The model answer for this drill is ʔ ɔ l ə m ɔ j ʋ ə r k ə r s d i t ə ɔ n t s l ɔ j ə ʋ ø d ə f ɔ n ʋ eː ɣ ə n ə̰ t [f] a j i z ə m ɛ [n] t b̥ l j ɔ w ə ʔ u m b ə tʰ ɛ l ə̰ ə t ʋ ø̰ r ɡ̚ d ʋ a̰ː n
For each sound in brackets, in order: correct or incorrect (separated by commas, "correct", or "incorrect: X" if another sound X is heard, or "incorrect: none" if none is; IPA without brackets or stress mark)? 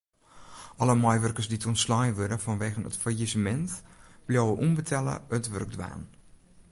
correct, correct